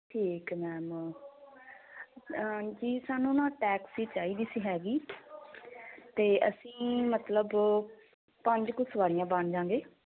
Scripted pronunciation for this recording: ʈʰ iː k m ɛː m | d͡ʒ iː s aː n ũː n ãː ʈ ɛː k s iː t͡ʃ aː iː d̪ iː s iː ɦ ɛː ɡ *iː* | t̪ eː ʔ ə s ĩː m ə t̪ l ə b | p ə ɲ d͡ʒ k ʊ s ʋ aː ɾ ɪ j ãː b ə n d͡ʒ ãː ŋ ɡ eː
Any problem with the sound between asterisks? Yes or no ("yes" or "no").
no